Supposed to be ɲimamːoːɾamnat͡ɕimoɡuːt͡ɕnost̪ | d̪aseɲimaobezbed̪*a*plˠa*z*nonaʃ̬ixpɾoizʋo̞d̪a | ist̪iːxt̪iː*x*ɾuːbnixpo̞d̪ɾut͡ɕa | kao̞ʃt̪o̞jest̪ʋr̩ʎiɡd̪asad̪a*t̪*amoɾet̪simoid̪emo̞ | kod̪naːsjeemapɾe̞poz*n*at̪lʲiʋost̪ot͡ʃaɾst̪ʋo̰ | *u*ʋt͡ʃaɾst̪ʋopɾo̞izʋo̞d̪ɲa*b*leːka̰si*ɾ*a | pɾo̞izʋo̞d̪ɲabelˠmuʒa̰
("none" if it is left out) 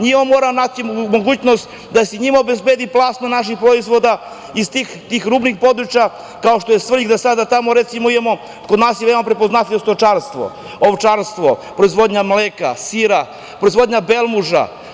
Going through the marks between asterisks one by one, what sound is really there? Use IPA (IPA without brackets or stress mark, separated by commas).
i, s, x, t̪, n, o, m, ɾ